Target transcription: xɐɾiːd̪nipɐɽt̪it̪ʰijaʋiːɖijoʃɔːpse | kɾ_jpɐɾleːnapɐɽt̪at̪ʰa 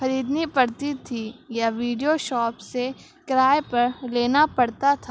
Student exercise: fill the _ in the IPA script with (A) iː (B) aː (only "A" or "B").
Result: B